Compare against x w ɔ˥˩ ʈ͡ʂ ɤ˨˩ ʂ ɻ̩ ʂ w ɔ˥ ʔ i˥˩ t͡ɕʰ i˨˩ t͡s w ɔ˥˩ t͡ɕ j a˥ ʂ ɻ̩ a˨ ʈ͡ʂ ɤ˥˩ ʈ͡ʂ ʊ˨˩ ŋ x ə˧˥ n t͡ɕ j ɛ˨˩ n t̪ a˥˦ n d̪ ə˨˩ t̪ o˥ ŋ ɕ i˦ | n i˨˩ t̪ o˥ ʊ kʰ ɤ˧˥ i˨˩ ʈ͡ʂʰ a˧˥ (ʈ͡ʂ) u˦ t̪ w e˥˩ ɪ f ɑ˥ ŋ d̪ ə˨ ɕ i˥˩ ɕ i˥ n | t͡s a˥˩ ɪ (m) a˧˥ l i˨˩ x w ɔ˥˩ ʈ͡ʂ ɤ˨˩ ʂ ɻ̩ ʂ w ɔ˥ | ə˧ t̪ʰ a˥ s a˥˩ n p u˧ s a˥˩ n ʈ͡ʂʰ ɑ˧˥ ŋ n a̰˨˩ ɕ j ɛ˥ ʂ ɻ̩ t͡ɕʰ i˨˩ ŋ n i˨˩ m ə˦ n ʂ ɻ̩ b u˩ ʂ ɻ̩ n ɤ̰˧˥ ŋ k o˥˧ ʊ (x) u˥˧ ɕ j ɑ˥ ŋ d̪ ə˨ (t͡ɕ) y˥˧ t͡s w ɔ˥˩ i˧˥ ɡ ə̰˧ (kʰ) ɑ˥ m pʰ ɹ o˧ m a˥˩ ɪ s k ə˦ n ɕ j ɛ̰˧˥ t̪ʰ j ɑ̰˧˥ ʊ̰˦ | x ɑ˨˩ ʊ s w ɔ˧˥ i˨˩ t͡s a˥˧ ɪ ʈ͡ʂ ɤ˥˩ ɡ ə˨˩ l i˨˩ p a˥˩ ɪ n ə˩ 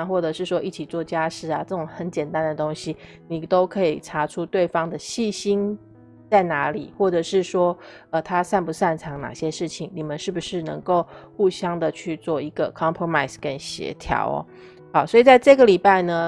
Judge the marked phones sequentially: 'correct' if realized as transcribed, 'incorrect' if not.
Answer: incorrect, incorrect, correct, incorrect, correct

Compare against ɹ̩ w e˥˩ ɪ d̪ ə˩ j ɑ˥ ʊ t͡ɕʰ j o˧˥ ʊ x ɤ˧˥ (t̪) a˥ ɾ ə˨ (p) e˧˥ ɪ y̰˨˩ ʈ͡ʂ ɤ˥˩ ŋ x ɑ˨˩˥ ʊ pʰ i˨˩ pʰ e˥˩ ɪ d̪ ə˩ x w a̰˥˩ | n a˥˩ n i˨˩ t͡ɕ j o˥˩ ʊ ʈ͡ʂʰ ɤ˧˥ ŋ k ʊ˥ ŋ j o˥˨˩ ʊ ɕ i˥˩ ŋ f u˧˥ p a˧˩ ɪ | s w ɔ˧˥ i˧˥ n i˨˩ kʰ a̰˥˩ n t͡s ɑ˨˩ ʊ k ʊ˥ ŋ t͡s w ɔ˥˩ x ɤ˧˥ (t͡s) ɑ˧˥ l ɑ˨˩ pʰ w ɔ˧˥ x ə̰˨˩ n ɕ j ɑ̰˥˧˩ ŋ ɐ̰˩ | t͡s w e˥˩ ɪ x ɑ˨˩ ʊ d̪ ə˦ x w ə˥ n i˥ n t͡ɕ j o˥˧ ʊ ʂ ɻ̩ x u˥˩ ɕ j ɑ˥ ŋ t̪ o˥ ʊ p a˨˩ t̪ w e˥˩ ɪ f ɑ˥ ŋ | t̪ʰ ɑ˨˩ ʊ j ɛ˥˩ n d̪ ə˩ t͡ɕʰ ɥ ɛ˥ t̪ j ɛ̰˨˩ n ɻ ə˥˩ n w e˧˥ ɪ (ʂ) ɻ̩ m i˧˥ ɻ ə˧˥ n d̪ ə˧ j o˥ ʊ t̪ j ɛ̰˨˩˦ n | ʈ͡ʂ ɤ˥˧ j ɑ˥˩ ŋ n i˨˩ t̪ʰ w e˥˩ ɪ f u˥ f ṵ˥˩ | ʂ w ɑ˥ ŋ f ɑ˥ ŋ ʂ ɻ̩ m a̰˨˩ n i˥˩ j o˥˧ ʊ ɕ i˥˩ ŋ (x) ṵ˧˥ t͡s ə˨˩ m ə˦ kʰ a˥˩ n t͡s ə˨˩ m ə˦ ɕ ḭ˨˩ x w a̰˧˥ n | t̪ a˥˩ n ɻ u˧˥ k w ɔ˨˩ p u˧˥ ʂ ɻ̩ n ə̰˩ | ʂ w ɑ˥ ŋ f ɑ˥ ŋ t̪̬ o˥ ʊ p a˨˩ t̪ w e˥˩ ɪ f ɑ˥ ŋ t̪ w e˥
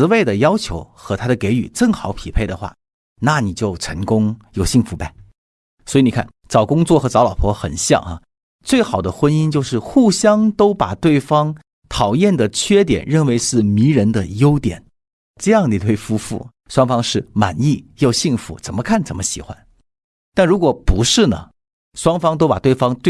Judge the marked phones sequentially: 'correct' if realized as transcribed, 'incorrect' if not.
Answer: incorrect, incorrect, correct, correct, incorrect

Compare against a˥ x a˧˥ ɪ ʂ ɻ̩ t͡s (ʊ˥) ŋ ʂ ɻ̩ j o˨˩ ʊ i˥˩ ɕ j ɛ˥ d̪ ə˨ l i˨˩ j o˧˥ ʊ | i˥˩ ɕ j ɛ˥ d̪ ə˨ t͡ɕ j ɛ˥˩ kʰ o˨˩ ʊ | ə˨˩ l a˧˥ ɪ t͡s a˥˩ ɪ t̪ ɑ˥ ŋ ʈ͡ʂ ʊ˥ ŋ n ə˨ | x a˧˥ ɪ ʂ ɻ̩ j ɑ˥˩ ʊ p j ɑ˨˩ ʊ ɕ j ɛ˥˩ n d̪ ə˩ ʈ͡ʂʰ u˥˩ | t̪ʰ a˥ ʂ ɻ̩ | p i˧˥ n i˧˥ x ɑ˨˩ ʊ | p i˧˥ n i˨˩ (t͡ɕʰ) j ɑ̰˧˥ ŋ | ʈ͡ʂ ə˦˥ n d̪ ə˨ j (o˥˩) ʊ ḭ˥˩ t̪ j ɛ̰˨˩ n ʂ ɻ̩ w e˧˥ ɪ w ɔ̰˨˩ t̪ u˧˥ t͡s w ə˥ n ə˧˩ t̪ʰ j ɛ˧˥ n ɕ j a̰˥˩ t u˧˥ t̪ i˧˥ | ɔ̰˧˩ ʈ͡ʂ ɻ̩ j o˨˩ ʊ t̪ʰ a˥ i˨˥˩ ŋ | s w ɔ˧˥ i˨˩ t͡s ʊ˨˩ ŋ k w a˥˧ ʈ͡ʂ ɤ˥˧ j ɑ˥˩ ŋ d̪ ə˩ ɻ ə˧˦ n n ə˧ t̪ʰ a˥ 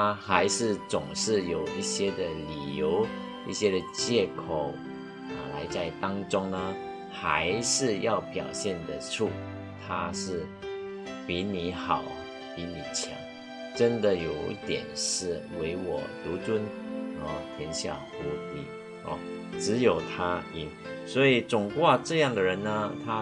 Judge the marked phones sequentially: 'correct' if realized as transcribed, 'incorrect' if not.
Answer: incorrect, correct, incorrect

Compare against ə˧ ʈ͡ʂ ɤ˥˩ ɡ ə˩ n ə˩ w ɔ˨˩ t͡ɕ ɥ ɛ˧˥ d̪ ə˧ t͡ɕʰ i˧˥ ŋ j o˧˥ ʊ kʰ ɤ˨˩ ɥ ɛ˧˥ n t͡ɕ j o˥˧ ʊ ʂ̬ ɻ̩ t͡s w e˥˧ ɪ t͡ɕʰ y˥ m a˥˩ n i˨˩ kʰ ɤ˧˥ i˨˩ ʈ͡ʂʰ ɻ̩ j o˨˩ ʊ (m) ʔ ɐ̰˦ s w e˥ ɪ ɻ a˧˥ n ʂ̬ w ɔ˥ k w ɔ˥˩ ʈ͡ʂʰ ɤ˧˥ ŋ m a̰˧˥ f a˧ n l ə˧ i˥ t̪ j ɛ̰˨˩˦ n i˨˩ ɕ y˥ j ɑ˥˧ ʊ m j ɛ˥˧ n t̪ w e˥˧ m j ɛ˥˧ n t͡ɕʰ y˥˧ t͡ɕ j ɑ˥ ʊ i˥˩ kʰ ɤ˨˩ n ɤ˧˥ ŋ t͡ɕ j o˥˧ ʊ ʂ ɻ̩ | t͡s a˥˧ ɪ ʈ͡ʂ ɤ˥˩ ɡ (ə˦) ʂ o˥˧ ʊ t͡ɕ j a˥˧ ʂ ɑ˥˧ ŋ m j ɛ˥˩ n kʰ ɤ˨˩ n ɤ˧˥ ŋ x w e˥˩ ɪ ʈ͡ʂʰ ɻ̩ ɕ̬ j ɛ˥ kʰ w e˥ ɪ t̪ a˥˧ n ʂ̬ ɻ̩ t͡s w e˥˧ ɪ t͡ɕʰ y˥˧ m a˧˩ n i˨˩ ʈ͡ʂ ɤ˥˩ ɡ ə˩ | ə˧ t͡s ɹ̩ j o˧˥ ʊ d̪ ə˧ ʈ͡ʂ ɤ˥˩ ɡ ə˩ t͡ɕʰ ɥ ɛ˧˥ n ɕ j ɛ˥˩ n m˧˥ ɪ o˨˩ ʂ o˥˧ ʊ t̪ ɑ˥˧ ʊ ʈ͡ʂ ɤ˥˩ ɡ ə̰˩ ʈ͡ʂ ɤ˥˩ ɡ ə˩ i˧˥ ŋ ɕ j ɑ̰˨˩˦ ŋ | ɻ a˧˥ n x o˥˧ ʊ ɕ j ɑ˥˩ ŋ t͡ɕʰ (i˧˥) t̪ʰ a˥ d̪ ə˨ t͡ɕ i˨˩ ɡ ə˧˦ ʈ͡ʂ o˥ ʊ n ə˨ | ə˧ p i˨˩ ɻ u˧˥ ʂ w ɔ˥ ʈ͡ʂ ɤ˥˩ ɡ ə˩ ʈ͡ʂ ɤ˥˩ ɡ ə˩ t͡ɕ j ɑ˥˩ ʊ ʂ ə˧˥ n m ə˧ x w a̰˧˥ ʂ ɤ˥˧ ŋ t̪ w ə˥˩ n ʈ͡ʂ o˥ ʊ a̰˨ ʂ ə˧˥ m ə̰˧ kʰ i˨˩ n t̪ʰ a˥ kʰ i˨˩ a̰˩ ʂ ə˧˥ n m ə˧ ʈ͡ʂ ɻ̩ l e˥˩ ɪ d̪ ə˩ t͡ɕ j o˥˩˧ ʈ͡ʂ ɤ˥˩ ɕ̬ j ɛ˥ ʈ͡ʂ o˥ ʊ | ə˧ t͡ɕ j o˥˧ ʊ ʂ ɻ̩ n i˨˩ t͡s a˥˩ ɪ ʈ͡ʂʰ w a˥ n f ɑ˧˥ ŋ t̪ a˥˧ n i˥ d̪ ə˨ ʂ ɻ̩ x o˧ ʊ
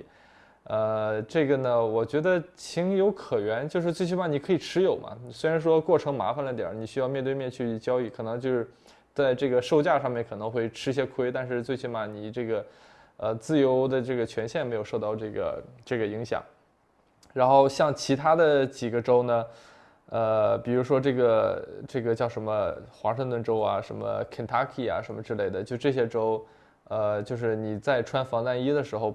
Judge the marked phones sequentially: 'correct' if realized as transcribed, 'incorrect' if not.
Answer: correct, incorrect, correct

